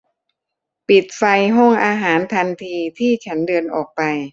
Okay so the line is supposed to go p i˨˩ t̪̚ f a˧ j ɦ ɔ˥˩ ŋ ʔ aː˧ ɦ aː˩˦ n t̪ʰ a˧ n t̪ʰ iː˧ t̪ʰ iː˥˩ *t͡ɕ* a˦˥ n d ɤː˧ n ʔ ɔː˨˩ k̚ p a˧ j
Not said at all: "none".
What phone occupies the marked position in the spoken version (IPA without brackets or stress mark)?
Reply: t͡ɕʰ